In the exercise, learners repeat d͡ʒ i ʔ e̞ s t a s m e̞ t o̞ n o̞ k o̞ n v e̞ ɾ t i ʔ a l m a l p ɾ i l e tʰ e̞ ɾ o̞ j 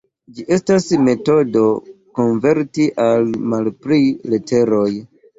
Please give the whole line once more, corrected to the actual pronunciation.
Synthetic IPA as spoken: d͡ʒ i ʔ e̞ s t a s m e̞ t o̞ d o̞ k o̞ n v e̞ ɾ t i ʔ a l m a l p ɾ i l e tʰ e̞ ɾ o̞ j